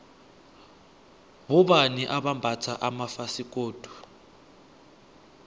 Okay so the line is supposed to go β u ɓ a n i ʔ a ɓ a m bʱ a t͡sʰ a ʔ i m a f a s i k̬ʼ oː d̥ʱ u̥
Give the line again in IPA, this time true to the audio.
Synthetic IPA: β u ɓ a n i ʔ a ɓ a m bʱ a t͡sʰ a ʔ a m a f a s i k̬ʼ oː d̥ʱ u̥